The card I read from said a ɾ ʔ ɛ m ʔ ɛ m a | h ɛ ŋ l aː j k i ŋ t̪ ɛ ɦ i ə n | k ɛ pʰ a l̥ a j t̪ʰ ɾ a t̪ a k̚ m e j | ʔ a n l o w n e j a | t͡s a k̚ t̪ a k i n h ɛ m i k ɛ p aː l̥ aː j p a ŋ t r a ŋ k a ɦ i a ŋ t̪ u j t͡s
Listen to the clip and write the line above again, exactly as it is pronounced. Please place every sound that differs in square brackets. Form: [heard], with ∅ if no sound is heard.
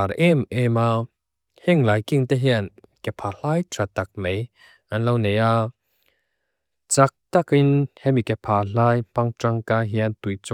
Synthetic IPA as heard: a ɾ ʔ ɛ m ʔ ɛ m a | h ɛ ŋ l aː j k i ŋ t̪ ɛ ɦ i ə n | k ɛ pʰ a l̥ a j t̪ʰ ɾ a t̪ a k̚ m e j | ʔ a n l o w n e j a | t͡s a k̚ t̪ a k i n h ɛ m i k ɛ [pʰ] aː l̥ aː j p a ŋ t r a ŋ k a ɦ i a [n] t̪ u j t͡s